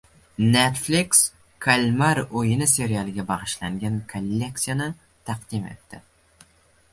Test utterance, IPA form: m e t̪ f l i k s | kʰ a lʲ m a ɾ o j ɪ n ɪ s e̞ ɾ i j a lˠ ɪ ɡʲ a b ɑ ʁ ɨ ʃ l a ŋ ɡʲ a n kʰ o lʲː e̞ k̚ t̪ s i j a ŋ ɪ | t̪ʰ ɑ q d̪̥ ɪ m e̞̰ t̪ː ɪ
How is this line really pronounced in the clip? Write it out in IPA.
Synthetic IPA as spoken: n e t̪ f l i k s | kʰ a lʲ m a ɾ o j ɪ n ɪ s e̞ ɾ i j a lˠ ɪ ɡʲ a b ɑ ʁ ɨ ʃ l a ŋ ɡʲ a n kʰ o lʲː e̞ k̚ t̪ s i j a n ɪ | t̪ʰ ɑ q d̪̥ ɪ m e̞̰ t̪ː ɪ